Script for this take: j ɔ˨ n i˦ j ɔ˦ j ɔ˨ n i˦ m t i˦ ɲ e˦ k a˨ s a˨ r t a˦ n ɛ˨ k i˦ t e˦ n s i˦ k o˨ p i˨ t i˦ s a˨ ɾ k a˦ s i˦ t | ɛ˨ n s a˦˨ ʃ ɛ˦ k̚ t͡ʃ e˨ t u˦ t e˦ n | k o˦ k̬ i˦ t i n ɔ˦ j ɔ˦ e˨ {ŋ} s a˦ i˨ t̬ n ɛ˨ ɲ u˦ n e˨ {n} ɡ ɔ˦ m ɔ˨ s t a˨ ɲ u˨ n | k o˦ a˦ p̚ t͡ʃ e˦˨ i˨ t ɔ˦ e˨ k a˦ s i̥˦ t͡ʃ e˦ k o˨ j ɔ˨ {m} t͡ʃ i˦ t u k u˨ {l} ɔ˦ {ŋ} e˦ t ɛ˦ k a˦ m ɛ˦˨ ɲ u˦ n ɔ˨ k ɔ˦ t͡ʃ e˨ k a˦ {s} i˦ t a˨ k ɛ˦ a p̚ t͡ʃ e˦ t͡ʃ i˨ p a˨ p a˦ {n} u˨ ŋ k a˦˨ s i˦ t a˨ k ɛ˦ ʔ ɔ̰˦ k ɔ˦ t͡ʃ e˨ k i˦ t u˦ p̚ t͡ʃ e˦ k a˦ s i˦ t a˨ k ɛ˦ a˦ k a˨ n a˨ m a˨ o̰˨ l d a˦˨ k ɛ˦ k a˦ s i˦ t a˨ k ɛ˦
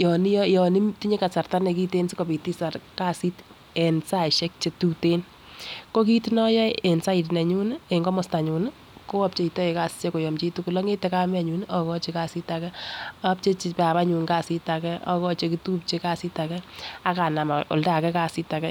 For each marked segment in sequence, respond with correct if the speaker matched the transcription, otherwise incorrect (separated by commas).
incorrect, incorrect, correct, correct, correct, correct, incorrect